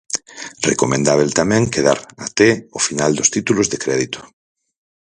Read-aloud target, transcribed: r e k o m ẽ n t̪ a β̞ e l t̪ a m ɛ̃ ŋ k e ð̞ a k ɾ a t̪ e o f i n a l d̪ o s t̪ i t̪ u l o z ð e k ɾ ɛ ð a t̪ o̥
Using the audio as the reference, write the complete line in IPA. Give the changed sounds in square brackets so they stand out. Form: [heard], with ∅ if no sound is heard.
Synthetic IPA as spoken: r e k o m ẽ n [d̪] a β̞ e l t̪ a m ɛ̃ ŋ k e ð̞ a [∅] ɾ a t̪ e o f i n a l d̪ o s t̪ i t̪ u l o z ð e k ɾ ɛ ð [i] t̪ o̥